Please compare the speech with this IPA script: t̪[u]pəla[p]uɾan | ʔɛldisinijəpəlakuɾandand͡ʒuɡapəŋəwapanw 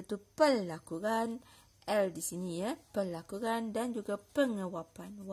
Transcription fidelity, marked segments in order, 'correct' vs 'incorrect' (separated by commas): correct, incorrect